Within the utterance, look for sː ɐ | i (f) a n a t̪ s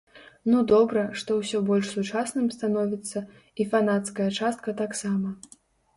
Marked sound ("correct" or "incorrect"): correct